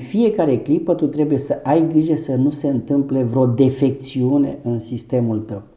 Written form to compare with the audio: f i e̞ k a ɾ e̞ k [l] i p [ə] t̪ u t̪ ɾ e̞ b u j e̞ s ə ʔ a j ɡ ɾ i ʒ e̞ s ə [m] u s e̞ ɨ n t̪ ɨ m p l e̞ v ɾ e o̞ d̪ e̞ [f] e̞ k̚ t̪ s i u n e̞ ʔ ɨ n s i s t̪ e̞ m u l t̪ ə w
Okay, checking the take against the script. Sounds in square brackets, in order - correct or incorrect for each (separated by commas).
correct, correct, incorrect, correct